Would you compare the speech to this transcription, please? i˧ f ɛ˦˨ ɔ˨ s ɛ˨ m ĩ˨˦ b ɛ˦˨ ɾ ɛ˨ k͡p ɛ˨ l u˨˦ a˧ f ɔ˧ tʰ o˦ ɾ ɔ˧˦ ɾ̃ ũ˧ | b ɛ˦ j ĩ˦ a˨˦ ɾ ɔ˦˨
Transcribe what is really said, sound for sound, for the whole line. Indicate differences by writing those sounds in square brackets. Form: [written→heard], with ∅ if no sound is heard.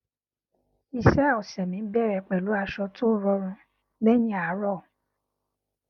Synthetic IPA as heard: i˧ [f→ʃ] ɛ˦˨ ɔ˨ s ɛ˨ m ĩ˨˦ b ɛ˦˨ ɾ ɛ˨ k͡p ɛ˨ l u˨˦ a˧ [f→ʃ] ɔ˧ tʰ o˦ ɾ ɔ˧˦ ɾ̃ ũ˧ | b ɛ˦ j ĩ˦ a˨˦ ɾ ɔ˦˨

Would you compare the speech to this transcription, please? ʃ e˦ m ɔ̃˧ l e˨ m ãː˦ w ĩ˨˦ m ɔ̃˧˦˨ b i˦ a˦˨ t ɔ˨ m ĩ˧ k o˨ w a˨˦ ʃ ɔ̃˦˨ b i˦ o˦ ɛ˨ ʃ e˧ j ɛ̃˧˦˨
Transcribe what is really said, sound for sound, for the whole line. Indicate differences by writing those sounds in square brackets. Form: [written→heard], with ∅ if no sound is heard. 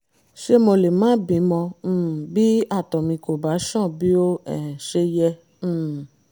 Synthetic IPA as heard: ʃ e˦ m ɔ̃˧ l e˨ m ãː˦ [w→b] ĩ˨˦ m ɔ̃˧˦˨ b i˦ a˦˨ t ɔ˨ m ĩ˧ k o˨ [w→b] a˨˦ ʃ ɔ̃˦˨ b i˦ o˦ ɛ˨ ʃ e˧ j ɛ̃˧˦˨

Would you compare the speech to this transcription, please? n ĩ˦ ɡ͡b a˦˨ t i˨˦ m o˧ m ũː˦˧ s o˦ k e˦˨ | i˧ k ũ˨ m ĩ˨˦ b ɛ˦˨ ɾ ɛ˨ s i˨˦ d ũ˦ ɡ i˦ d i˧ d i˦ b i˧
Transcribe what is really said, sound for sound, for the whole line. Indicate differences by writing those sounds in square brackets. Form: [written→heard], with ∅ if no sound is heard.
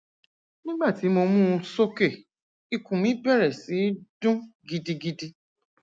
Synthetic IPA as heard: n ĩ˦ ɡ͡b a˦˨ t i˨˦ m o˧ m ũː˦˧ s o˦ k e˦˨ | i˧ k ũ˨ m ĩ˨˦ b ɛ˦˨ ɾ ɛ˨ s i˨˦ d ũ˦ ɡ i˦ d i˧ [d→ɡ] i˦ [b→d] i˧

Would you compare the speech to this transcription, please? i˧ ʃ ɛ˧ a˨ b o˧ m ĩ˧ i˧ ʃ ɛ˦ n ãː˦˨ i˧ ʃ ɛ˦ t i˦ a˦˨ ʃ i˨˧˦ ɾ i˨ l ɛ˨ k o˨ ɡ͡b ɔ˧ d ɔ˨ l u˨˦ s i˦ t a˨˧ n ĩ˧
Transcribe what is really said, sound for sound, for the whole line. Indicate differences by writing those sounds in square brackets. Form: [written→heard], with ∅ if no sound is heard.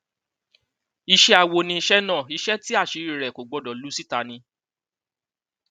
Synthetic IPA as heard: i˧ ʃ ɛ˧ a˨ [b→w] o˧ [m→n] ĩ˧ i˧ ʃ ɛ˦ n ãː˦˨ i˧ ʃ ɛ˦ t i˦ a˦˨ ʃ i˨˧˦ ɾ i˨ [l→ɾ] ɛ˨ k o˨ ɡ͡b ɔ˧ d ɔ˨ l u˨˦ s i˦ t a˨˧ n ĩ˧

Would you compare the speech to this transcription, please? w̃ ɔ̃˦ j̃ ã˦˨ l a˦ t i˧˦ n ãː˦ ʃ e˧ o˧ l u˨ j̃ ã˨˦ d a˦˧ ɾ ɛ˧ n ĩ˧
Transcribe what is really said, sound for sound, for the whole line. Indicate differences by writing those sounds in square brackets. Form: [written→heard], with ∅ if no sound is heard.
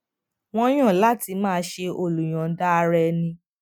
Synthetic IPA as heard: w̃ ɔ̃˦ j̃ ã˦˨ l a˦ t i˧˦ [n→m] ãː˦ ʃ e˧ o˧ l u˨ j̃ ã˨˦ d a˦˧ ɾ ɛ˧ n ĩ˧

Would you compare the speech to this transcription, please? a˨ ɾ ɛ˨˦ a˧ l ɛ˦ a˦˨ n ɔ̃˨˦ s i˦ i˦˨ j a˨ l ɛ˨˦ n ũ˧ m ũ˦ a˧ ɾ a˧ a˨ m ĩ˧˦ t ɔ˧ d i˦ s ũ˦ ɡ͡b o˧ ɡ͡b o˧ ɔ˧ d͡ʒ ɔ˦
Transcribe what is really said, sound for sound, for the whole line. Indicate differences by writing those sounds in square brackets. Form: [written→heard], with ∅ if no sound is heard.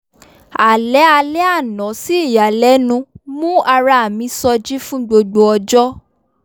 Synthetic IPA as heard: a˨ [ɾ→l] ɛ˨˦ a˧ l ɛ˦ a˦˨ n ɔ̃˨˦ s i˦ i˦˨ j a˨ l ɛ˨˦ n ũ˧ m ũ˦ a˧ ɾ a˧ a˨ m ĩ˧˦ [t→s] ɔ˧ [d→d͡ʒ] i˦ [s→f] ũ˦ ɡ͡b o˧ ɡ͡b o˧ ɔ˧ d͡ʒ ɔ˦

